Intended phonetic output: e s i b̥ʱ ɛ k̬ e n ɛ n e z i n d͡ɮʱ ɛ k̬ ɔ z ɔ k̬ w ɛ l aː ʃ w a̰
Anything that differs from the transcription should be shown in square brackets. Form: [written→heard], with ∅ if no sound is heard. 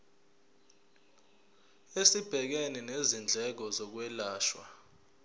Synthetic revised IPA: e s i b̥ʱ ɛ k̬ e n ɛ n e z i n d͡ɮʱ ɛ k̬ ɔ z ɔ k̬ w ɛ l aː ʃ w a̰